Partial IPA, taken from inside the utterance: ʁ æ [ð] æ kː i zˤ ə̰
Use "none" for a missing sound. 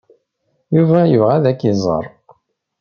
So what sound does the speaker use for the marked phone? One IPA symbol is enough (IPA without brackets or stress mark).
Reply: ð